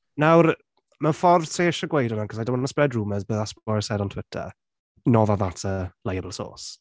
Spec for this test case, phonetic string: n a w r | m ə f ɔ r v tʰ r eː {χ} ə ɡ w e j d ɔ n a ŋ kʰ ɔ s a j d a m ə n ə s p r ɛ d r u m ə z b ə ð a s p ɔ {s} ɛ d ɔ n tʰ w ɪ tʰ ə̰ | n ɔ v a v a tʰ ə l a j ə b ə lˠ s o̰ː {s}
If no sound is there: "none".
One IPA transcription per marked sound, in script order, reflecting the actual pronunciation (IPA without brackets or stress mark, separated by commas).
ʃ, s, s